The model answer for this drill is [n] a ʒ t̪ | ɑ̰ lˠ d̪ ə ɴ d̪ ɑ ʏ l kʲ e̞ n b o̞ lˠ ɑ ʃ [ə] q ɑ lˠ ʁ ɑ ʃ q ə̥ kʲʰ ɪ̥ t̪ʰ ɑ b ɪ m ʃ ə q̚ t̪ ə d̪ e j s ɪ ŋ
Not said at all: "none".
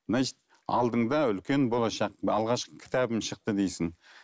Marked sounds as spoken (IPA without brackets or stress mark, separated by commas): n, ɑ